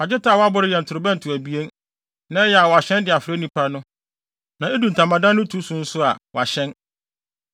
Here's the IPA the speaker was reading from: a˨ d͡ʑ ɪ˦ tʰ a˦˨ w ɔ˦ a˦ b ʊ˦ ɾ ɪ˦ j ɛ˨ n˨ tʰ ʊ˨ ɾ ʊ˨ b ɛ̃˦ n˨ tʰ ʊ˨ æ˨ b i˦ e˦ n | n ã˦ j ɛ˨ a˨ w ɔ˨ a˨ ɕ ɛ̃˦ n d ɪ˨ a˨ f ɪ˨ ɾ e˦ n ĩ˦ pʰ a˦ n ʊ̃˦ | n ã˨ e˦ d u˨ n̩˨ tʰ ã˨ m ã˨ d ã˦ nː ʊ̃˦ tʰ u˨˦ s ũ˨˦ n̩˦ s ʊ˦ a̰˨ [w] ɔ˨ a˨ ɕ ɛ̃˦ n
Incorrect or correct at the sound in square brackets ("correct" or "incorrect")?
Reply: correct